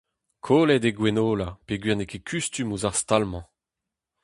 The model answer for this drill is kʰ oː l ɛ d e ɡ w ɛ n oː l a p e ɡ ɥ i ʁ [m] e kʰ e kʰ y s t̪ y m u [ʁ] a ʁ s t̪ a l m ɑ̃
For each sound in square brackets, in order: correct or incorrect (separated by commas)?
incorrect, incorrect